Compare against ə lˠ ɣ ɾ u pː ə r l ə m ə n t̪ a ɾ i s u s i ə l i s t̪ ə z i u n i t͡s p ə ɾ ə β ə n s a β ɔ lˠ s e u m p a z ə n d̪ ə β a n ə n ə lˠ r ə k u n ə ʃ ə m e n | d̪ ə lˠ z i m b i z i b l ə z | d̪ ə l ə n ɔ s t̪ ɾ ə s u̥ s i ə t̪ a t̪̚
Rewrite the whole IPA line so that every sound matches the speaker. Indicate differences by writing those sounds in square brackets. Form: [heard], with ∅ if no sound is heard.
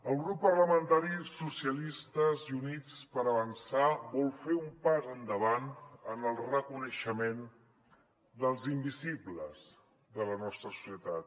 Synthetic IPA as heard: ə lˠ ɣ ɾ u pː ə r l ə m ə n t̪ a ɾ i s u s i ə l i s t̪ ə z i u n i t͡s p ə ɾ ə β ə n s a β ɔ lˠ [f] e u m p a z ə n d̪ ə β a n ə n ə lˠ r ə k u n ə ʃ ə m e n | d̪ ə lˠ z i m b i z i b l ə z | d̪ ə l ə n ɔ s t̪ ɾ ə s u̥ s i ə t̪ a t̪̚

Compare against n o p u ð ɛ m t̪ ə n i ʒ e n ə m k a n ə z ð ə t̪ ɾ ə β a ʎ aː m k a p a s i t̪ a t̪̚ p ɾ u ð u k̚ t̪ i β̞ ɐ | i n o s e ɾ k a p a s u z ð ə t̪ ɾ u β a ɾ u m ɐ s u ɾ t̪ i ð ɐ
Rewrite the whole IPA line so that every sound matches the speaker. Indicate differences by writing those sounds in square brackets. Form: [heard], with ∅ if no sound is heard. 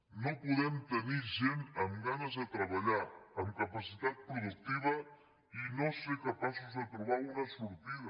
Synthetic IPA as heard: n o p u ð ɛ m t̪ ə n i ʒ e n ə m [ɡ] a n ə z ð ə t̪ ɾ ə β a ʎ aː m k a p a s i t̪ a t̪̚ p ɾ u ð u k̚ t̪ i β̞ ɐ | i n o s e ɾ k a p a s u z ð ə t̪ ɾ u β a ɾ u [n] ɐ s u ɾ t̪ i ð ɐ

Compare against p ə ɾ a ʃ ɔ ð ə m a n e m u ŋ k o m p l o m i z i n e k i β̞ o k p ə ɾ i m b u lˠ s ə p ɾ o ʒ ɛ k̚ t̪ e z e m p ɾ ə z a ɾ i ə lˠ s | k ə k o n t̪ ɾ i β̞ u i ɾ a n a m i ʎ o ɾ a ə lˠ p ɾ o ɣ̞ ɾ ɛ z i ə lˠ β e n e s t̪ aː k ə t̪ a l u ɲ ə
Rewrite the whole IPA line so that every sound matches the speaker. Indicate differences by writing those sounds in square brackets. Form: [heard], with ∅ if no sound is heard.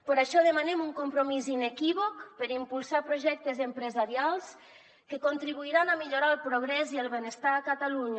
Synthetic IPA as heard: p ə ɾ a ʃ ɔ ð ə m a n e m u ŋ k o m p [ɾ] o m i z i n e k i β̞ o k p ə ɾ i m [p] u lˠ s [a] p ɾ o ʒ ɛ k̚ t̪ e z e m p ɾ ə z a ɾ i [a] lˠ s | k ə k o n t̪ ɾ i β̞ u i ɾ a n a m i ʎ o ɾ a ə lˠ p ɾ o ɣ̞ ɾ ɛ z i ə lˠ β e n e s t̪ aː k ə t̪ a l u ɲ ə

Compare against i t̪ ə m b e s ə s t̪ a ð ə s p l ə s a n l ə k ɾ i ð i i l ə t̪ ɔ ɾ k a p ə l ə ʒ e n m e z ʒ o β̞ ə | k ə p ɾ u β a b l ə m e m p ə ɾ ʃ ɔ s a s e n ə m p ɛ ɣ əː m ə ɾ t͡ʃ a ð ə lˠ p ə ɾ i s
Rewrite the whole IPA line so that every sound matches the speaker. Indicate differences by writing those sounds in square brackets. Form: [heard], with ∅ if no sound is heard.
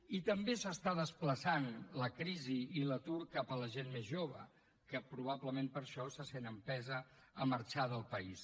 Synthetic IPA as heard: i t̪ ə m b e s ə s t̪ a ð ə s p l ə s a n l ə k ɾ i [z] i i l ə t̪ [u] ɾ k a p ə l ə ʒ e n m e z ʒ o β̞ ə | k ə p ɾ u β a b l ə m e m p ə ɾ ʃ ɔ s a s e n ə m p ɛ [z] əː m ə ɾ t͡ʃ a ð ə lˠ p ə [∅] i s

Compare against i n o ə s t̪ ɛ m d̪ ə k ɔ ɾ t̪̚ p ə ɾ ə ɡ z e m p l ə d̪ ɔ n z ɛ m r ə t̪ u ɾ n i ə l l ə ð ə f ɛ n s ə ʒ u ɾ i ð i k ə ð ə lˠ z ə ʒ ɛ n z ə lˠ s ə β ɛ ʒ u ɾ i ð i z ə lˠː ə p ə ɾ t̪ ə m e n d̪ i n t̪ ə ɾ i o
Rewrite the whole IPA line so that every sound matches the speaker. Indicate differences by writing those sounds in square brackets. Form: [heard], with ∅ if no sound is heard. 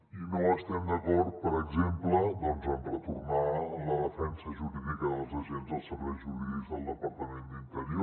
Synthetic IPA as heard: i n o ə s t̪ ɛ m d̪ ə k ɔ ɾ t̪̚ p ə ɾ ə ɡ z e m p l ə d̪ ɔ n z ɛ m r ə t̪ u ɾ n [a] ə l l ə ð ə f ɛ n s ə ʒ u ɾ i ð i k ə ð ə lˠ z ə ʒ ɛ n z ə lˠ s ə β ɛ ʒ u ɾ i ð i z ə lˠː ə p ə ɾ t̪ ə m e n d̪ i n t̪ ə ɾ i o

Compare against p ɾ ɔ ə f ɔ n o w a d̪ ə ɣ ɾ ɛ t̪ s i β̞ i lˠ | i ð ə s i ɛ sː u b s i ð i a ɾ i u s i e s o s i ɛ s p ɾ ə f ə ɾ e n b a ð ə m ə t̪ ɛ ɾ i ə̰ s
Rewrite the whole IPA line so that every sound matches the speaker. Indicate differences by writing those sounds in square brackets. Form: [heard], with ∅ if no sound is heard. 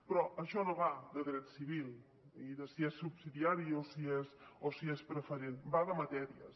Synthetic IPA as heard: p ɾ ɔ ə [ʃ] ɔ n o [β] a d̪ ə [ð] ɾ ɛ t̪ s i β̞ i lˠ | i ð ə s i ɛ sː u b s i ð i a ɾ i [o] s i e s o s i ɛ s p ɾ ə f ə ɾ e n b a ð ə m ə t̪ ɛ ɾ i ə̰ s

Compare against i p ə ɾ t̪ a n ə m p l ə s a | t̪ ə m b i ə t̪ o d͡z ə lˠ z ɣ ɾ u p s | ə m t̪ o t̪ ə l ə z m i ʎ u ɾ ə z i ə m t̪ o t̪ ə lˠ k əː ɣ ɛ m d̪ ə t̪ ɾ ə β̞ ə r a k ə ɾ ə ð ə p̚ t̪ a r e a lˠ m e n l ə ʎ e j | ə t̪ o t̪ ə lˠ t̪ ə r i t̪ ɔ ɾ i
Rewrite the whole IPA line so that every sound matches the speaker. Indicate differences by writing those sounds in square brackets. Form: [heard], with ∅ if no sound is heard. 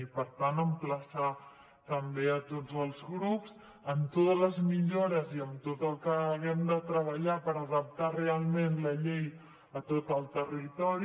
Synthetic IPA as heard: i p ə ɾ t̪ a n ə m p l ə s a | t̪ ə m b [e] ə t̪ o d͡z ə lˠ z ɣ ɾ u p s | ə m t̪ o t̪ ə l ə z m i ʎ [o] ɾ ə z i ə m t̪ o t̪ ə lˠ k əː ɣ ɛ m d̪ ə t̪ ɾ ə β̞ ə [ʎ] a [p] ə ɾ ə ð ə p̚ t̪ a r e a lˠ m e n l ə ʎ e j | ə t̪ o t̪ ə lˠ t̪ ə r i t̪ ɔ ɾ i

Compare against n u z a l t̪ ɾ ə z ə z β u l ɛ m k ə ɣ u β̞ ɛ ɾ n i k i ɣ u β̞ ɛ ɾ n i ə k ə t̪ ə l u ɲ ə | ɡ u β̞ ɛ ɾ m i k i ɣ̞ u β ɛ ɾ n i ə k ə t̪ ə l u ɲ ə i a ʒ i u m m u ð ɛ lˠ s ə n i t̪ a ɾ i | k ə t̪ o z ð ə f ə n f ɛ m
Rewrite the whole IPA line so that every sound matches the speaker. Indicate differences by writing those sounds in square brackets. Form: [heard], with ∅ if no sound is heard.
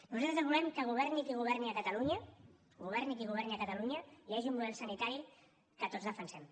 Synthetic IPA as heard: n u z a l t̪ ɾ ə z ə z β u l ɛ m k ə ɣ u β̞ ɛ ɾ n i k i ɣ u β̞ ɛ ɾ n i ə k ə t̪ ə l u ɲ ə | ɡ u β̞ ɛ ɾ [n] i k i ɣ̞ u β ɛ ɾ n i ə k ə t̪ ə l u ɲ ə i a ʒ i u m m u ð ɛ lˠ s ə n i t̪ a ɾ i | k ə t̪ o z ð ə f ə n [s] ɛ m

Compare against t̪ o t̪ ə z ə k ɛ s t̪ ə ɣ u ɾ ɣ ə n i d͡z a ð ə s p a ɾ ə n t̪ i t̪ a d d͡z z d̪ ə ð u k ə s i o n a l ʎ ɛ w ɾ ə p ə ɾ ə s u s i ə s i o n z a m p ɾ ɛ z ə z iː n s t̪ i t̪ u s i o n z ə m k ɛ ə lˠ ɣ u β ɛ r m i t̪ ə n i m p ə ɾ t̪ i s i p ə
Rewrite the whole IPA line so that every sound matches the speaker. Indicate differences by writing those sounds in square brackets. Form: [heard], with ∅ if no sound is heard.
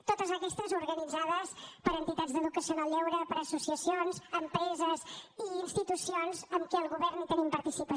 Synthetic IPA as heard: t̪ o t̪ ə z ə k ɛ s t̪ ə [z] u ɾ ɣ ə n i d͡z a ð ə s p [ə] ɾ ə n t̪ i t̪ a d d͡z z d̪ ə ð u k ə s i o n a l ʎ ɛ w ɾ ə p ə ɾ ə s u s i ə s i o n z [ə] m p ɾ ɛ z ə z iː n s t̪ i t̪ u s i o n z ə m k ɛ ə lˠ ɣ u β ɛ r [n] i t̪ ə n i m p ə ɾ t̪ i s i p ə

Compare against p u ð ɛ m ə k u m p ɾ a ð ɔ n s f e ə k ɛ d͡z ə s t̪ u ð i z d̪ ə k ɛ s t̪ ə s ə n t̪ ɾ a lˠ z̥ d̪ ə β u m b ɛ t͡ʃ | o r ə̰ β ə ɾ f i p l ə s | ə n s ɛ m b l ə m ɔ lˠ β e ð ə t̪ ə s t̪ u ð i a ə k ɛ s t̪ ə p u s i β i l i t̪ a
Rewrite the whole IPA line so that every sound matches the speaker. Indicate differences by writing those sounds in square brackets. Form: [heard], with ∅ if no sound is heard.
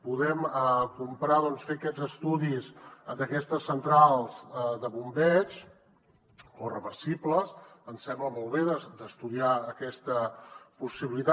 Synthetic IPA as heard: p u ð ɛ m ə k u m p ɾ a ð ɔ n s f e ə k ɛ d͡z ə s t̪ u ð i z d̪ ə k ɛ s t̪ ə s ə n t̪ ɾ a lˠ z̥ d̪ ə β u m b ɛ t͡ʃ | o r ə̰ β ə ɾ [s] i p l ə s | ə n s ɛ m b l ə m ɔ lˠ β e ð ə [d̪] ə s t̪ u ð i a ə k ɛ s t̪ ə p u s i β i l i t̪ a

